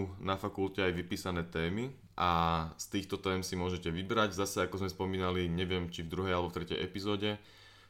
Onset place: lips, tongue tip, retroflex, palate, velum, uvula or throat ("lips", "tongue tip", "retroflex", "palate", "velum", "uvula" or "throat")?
tongue tip